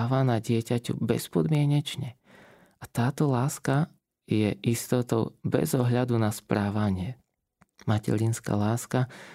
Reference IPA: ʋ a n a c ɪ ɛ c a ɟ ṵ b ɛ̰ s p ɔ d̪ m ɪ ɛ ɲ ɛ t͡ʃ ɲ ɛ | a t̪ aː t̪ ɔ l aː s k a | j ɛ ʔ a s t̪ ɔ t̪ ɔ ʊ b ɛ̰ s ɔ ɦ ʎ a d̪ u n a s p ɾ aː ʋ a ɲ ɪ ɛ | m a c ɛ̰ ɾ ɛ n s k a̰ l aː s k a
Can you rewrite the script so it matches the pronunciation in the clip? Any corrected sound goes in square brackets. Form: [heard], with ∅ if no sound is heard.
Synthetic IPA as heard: ʋ a n a [ɟ] ɪ ɛ c a [c] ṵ b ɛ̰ s p ɔ d̪ m ɪ ɛ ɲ ɛ t͡ʃ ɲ ɛ | a t̪ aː t̪ ɔ l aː s k a | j ɛ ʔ [i] s t̪ ɔ t̪ ɔ ʊ b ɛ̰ [z] ɔ ɦ ʎ a d̪ u n a s p ɾ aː ʋ a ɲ ɪ ɛ | m a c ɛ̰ ɾ [i] n s k a̰ l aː s k a